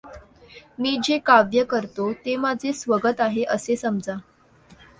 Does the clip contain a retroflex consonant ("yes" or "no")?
no